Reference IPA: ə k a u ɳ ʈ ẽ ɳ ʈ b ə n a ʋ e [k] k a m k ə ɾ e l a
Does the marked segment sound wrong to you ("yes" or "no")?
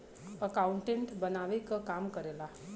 no